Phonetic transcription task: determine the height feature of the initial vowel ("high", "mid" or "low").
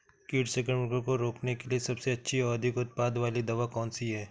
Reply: high